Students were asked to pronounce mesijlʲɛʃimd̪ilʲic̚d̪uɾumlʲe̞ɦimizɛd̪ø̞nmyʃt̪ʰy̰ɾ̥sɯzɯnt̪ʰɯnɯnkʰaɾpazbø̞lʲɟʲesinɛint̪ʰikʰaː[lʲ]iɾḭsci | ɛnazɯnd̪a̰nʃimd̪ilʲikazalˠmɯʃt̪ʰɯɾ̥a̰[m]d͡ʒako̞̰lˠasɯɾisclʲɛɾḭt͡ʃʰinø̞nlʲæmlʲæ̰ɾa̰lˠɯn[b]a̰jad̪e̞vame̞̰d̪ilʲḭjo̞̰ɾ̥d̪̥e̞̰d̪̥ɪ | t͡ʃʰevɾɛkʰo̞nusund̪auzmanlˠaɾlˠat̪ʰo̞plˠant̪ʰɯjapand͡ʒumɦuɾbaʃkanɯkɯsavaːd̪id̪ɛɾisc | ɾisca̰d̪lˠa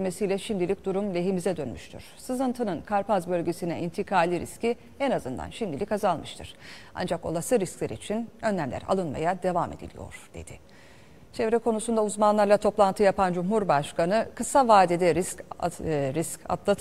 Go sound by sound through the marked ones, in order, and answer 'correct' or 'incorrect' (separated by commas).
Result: correct, incorrect, incorrect